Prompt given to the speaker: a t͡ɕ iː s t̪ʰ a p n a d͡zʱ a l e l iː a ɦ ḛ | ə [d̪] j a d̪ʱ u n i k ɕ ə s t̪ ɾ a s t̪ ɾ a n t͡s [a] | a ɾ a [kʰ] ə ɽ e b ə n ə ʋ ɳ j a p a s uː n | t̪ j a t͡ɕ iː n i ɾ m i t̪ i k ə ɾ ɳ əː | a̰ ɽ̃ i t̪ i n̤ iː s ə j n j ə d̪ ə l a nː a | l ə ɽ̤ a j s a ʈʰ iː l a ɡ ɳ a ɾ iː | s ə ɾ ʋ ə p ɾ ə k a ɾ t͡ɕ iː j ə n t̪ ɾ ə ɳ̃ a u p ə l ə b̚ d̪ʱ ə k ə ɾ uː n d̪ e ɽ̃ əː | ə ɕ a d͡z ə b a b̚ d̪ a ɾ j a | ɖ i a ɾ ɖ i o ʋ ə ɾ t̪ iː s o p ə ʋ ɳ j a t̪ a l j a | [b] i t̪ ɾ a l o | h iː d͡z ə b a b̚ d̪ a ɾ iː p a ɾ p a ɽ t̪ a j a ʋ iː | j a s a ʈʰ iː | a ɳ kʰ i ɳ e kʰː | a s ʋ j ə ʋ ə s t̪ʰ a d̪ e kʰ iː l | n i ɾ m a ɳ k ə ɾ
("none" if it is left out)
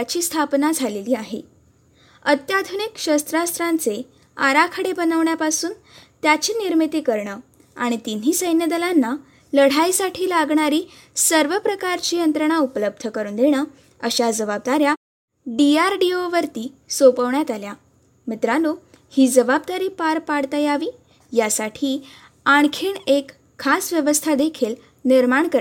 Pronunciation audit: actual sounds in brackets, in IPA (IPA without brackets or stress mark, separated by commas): t̪, e, kʰ, m